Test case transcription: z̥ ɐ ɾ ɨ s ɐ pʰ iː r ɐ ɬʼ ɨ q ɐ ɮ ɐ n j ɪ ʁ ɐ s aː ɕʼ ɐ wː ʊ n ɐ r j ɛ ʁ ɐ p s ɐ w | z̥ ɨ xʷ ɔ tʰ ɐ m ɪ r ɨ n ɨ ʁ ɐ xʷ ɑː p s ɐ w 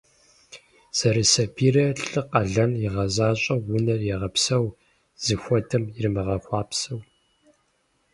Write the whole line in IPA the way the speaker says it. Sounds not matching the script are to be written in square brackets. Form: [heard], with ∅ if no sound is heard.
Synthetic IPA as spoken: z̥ ɐ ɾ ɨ s ɐ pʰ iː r ɐ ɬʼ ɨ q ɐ ɮ ɐ n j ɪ ʁ ɐ [z] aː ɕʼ ɐ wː ʊ n ɐ r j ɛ ʁ ɐ p s ɐ w | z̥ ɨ xʷ ɔ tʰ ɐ m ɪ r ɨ [m] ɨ ʁ ɐ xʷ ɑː p s ɐ w